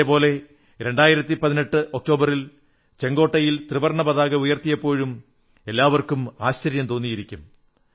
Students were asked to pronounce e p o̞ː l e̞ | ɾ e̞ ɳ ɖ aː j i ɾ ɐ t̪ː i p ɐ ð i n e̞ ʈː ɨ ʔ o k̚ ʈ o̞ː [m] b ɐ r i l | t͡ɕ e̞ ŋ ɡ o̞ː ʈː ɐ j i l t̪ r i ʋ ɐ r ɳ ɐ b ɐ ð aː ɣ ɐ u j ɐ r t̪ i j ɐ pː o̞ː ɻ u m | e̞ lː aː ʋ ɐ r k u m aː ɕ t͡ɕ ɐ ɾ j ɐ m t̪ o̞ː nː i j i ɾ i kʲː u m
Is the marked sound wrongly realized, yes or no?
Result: yes